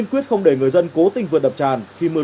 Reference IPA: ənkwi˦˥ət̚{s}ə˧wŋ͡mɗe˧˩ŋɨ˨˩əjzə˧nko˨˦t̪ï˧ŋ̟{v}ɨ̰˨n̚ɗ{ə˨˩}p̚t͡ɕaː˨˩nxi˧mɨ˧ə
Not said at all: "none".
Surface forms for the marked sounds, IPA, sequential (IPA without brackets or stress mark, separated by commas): x, v, ə˨˩